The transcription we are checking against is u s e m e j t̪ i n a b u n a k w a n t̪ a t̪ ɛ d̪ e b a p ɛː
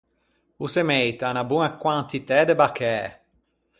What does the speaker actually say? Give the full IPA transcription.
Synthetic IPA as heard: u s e m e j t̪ a n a b u n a k w a n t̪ i t̪ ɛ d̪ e b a k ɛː